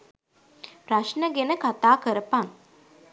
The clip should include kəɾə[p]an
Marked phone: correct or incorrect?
correct